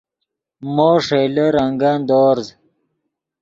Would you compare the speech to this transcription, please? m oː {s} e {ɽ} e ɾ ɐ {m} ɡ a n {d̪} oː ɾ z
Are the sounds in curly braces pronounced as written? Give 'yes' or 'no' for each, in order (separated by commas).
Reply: no, no, no, yes